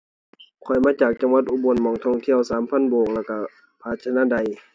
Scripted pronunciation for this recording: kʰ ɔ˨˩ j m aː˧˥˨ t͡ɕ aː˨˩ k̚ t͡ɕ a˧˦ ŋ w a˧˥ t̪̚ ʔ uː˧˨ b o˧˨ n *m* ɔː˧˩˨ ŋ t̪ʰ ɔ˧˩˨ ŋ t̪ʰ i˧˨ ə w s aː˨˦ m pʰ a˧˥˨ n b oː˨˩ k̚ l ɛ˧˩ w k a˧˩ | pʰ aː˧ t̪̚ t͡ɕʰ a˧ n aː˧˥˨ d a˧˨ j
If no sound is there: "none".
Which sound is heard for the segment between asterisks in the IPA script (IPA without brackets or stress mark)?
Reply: m